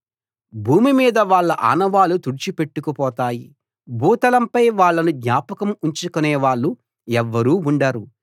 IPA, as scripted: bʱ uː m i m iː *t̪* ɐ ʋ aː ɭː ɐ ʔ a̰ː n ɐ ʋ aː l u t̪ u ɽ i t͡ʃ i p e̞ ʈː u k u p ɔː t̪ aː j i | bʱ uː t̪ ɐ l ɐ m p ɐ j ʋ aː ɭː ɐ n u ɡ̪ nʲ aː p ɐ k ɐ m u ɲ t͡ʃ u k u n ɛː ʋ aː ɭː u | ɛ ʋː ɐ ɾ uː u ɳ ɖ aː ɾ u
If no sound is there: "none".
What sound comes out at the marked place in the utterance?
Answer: d̪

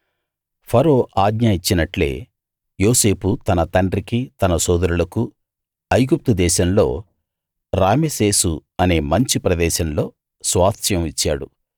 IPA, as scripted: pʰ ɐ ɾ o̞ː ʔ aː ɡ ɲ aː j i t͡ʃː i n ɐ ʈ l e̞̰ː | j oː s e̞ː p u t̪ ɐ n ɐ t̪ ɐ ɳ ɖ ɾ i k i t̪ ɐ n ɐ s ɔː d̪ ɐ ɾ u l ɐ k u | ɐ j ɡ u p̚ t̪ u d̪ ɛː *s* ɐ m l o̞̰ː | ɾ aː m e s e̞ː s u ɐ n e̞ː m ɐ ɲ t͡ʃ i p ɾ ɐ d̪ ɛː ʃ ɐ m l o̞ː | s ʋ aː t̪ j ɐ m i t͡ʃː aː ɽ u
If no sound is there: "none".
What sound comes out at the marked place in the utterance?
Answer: ʃ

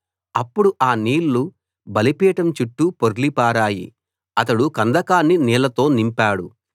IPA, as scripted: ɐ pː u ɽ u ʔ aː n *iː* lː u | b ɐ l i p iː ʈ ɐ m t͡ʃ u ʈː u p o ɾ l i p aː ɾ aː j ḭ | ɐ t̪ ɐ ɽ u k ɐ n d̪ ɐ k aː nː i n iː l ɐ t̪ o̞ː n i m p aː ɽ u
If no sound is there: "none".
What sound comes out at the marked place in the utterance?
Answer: iː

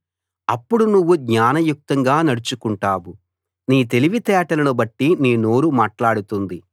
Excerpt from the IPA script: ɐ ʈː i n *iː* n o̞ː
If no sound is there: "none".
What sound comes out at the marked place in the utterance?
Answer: iː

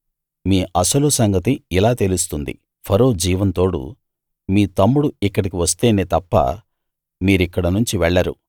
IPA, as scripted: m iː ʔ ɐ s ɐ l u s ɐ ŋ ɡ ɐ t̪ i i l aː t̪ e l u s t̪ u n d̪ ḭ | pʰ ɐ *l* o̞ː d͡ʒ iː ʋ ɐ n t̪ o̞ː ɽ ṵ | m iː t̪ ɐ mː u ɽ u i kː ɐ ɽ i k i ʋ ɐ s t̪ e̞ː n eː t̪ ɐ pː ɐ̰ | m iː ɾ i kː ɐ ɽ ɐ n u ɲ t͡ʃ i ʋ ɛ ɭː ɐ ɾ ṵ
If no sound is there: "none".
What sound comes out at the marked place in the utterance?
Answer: ɾ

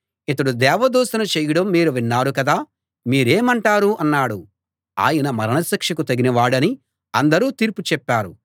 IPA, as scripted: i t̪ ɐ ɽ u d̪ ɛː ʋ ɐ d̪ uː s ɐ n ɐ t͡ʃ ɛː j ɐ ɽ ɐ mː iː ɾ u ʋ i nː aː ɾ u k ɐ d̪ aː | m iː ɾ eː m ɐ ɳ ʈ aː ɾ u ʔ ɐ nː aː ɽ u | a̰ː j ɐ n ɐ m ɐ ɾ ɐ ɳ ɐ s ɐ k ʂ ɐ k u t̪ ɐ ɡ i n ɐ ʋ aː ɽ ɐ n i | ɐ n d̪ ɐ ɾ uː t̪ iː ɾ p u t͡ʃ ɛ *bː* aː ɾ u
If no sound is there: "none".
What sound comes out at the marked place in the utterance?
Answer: pː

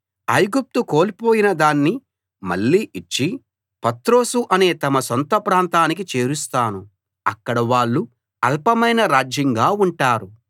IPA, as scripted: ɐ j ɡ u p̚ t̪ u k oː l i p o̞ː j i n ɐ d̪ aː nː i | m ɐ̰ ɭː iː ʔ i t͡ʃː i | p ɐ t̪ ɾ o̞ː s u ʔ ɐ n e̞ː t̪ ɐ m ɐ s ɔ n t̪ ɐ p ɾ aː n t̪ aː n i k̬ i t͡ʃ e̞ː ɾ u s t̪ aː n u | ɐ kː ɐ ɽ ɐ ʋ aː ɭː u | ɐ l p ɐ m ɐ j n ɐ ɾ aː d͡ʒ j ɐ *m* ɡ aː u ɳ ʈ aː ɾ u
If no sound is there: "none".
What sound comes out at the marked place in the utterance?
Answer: ŋ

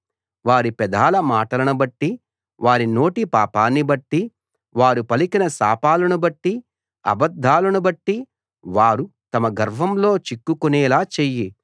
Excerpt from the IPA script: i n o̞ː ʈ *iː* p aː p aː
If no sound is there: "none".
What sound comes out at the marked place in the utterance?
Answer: i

